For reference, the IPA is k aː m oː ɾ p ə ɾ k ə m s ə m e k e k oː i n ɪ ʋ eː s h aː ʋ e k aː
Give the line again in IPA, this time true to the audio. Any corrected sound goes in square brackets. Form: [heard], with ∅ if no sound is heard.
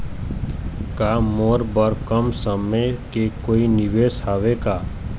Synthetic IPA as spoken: k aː m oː ɾ [b] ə ɾ k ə m s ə m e k e k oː i n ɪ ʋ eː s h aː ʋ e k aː